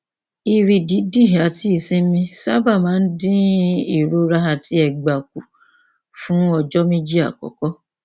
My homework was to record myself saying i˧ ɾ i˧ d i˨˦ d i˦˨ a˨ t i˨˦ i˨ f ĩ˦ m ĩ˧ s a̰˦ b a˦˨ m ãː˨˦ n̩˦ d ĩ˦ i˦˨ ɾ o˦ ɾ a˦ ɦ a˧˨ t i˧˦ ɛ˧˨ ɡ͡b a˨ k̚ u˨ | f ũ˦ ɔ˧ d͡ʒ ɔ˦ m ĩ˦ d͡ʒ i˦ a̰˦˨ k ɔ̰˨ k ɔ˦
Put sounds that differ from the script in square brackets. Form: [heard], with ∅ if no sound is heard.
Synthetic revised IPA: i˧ ɾ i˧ d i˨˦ d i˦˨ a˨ t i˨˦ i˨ [s] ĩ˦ m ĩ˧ s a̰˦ b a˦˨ m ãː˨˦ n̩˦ d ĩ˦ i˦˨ ɾ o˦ ɾ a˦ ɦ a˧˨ t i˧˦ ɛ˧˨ ɡ͡b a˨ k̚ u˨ | f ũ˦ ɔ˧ d͡ʒ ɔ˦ m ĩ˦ d͡ʒ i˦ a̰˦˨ k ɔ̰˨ k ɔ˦